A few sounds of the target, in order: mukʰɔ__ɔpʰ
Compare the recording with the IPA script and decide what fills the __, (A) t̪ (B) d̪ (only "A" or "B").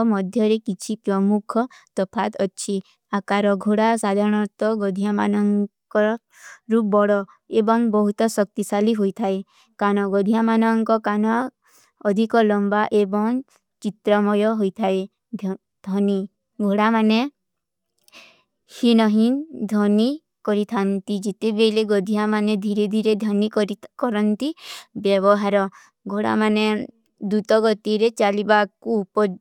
A